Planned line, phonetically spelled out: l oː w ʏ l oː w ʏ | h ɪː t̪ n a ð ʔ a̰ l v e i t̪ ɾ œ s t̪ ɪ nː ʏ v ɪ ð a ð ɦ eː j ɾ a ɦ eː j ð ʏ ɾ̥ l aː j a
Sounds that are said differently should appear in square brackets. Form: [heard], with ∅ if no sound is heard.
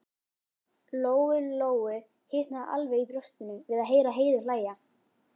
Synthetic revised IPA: l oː w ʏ l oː w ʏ | h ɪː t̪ n a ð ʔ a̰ l v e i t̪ ɾ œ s t̪ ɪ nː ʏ v ɪ ð a ð ɦ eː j ɾ a ɦ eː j ð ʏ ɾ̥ l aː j a